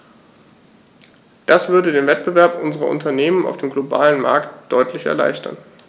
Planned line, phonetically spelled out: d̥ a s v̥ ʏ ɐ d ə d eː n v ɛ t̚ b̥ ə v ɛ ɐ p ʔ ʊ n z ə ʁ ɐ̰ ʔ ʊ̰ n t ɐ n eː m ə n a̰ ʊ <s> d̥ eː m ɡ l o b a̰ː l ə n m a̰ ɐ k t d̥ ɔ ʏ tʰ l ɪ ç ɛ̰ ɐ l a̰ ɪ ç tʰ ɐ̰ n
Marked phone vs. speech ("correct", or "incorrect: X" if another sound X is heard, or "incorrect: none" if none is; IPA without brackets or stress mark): incorrect: f